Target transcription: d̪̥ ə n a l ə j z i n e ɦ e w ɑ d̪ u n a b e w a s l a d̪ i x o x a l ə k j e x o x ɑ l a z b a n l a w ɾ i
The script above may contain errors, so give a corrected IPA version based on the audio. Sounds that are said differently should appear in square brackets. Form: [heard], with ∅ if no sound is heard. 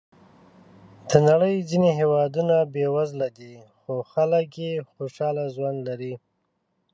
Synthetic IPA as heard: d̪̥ ə n a [ɽ] ə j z i n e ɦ e w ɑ d̪ u n a b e w a [z] l a d̪ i x o x a l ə k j e x o [ʃ] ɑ l a z [w] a n l a [∅] ɾ i